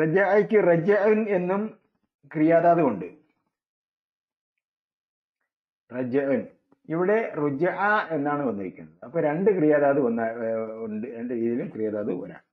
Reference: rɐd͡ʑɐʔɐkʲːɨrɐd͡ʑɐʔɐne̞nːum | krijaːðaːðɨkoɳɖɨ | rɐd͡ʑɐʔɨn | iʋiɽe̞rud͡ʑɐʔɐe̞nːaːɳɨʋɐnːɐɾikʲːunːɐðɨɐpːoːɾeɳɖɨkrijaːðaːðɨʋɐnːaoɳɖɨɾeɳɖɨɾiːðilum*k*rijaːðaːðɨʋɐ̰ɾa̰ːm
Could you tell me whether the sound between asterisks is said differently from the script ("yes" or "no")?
no